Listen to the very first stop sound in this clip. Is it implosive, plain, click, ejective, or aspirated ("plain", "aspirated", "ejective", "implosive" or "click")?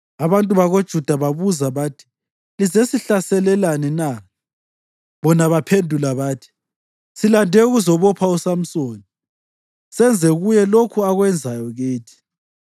ejective